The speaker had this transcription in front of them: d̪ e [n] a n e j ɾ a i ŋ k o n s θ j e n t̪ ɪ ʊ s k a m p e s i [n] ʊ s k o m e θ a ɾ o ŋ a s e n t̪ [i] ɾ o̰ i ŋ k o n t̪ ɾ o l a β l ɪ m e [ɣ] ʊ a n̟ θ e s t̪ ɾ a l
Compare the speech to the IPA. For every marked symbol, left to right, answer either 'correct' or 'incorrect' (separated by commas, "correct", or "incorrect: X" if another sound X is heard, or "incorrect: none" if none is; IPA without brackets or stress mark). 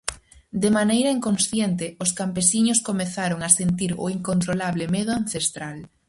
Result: incorrect: m, incorrect: ɲ, correct, incorrect: ð